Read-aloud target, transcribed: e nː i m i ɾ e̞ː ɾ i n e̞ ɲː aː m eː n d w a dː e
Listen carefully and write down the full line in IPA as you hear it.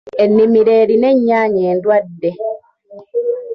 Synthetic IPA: e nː i m i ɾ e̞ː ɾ i n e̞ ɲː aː ɲ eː n d w a dː e